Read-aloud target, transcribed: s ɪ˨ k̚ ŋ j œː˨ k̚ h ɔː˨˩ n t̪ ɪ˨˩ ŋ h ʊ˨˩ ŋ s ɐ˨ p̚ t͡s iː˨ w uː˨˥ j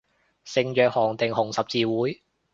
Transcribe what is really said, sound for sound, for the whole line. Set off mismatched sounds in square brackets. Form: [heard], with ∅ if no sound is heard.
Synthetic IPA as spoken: s ɪ˨ [∅] ŋ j œː˨ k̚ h ɔː˨˩ [ŋ] t̪ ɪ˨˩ ŋ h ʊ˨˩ ŋ s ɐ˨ p̚ t͡s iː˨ w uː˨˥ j